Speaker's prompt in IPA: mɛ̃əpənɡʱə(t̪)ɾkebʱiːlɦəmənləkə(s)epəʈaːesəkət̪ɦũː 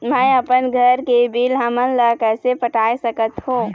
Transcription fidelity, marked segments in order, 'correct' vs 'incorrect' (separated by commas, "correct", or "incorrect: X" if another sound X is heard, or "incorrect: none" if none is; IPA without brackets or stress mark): incorrect: none, correct